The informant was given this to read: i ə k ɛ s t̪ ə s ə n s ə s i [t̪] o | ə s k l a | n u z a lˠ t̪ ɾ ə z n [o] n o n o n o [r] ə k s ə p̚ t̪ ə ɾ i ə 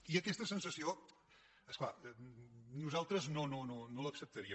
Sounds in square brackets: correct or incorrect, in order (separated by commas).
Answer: incorrect, correct, incorrect